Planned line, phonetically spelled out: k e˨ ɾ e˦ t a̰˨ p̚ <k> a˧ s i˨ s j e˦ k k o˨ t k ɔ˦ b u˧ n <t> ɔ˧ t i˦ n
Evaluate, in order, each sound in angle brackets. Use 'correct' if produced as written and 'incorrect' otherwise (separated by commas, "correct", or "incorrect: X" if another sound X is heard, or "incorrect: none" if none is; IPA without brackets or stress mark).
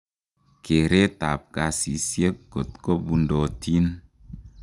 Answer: correct, incorrect: d